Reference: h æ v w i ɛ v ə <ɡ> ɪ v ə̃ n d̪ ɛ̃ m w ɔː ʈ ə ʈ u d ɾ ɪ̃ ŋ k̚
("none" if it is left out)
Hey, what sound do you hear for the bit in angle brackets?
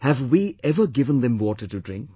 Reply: ɡ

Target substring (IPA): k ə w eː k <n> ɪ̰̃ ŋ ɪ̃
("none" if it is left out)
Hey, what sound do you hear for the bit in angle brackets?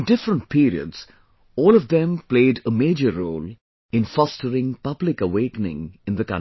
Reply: n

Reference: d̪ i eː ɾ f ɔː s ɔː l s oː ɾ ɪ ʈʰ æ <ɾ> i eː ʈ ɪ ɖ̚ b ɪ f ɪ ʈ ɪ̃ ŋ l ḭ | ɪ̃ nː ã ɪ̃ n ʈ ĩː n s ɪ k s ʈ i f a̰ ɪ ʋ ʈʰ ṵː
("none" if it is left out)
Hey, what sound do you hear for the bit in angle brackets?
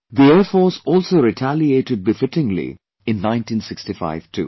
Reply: l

